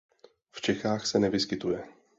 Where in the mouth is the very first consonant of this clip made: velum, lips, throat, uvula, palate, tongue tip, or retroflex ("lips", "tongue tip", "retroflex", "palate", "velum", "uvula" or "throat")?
lips